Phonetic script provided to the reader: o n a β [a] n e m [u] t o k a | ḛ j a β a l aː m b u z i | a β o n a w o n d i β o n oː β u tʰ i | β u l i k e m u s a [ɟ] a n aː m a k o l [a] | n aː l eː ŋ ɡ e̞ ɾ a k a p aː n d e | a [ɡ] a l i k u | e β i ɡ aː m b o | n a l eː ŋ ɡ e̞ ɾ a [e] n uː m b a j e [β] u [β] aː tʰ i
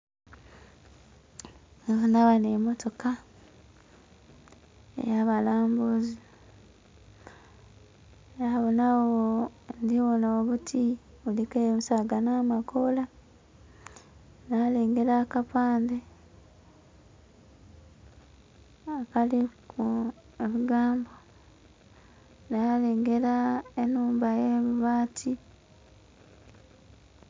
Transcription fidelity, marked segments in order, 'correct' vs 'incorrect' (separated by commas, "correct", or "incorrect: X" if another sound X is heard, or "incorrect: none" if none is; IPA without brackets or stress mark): correct, incorrect: o, incorrect: ɡ, correct, incorrect: k, correct, correct, correct